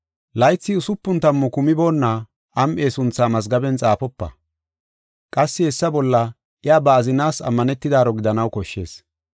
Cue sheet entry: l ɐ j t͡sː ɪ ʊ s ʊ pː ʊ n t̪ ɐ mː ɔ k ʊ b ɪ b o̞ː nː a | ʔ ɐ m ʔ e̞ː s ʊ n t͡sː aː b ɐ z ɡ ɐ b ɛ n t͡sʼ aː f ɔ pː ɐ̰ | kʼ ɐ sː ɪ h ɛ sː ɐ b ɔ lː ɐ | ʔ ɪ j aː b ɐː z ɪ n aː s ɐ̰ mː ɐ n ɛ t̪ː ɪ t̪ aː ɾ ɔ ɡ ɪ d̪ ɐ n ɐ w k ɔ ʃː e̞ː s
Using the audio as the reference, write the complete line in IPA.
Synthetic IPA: l ɐ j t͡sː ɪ ʊ s ʊ pː ʊ n t̪ ɐ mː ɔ k ʊ m ɪ b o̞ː nː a | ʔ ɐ m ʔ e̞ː s ʊ n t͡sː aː m ɐ z ɡ ɐ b ɛ n t͡sʼ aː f ɔ pː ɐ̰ | kʼ ɐ sː ɪ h ɛ sː ɐ b ɔ lː ɐ | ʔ ɪ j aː b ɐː z ɪ n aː s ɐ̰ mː ɐ n ɛ t̪ː ɪ d̪ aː ɾ ɔ ɡ ɪ d̪ ɐ n ɐ w k ɔ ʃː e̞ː s